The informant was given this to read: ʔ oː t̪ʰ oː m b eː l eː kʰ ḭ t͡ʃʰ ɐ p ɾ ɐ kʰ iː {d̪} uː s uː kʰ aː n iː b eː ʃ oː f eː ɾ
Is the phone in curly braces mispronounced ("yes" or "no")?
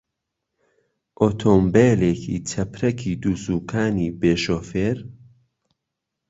no